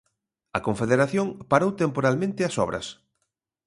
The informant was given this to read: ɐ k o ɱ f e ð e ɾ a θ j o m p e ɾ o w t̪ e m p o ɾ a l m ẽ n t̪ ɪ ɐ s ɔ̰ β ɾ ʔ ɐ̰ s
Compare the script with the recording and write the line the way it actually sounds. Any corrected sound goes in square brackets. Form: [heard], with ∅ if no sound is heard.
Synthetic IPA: ɐ k o ɱ f e ð e ɾ a θ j o [ŋ] p [a] ɾ o w t̪ e m p o ɾ a l m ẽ n t̪ ɪ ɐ s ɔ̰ β ɾ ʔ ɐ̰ s

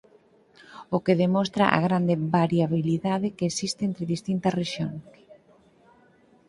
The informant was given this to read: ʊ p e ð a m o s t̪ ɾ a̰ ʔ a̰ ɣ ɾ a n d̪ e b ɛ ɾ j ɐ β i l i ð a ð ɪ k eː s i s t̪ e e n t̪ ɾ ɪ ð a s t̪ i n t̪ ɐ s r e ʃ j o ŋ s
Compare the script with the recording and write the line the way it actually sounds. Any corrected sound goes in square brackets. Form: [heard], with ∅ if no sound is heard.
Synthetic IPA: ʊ [k] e ð [e] m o s t̪ ɾ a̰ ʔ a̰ ɣ ɾ a n d̪ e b [a] ɾ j [a] β i l i ð a ð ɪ k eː s i s t̪ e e n t̪ ɾ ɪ ð [i] s t̪ i n t̪ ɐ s r e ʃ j o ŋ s

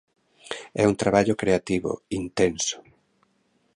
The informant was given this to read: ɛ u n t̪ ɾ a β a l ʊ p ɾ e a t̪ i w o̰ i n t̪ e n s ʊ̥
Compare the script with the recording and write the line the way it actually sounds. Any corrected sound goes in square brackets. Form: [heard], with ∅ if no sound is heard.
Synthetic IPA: ɛ u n t̪ ɾ a β a [ʎ] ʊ [k] ɾ e a t̪ i [β] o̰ i n t̪ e n s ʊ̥

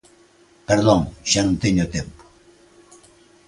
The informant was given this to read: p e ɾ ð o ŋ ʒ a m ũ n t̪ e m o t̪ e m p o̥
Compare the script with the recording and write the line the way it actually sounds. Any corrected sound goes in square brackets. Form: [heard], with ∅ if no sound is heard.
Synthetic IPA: p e ɾ ð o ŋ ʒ a [n] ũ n t̪ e [ɲ] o t̪ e m p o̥

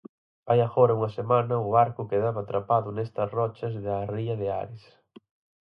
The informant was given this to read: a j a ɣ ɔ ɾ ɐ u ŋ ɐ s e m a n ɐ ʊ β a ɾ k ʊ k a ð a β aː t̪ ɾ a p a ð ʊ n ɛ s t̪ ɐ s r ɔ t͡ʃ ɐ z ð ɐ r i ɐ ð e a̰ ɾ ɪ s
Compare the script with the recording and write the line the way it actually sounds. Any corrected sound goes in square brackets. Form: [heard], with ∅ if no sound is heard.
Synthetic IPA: a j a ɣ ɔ ɾ ɐ u ŋ ɐ s e m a n ɐ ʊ β a ɾ k ʊ k [e] ð a β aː t̪ ɾ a p a ð ʊ n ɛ s t̪ ɐ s r ɔ t͡ʃ ɐ z ð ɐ r i ɐ ð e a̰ ɾ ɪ s

